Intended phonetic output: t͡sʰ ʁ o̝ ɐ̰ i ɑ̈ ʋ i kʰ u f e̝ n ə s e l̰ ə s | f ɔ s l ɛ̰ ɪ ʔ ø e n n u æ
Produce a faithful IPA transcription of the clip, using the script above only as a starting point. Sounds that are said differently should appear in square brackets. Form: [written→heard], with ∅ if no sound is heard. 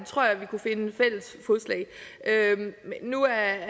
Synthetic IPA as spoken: t͡sʰ ʁ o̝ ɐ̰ [i→j] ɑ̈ ʋ i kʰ u f e̝ n ə [s→f] e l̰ ə s | f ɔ s l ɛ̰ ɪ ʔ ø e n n u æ